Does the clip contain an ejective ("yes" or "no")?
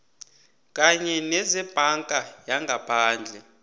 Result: yes